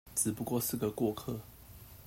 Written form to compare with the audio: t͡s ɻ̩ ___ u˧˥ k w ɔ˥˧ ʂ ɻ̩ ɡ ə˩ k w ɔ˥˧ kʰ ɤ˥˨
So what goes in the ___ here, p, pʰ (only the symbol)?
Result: p